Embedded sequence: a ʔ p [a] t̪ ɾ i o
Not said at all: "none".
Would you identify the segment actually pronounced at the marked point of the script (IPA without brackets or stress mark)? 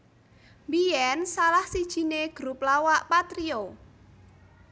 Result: a